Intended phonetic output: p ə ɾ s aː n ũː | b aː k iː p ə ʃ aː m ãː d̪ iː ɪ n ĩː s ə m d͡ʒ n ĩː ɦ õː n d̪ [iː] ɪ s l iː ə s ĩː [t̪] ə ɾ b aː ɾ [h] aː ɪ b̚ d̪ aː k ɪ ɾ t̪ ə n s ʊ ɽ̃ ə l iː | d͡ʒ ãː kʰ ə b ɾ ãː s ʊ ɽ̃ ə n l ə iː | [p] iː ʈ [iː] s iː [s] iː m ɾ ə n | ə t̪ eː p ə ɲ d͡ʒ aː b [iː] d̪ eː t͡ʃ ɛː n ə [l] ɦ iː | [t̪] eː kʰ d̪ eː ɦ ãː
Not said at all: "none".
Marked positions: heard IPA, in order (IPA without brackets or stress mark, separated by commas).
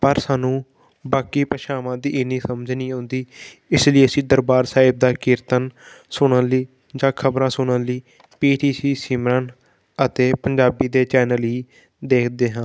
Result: iː, d̪, s, p, iː, s, iː, l, d̪